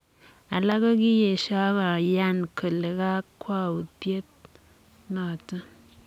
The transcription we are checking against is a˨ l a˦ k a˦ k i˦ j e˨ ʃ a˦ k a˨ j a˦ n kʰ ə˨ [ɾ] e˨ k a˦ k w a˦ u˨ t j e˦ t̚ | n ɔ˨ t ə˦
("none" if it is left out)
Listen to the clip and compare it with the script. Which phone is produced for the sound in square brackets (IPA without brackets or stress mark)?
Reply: l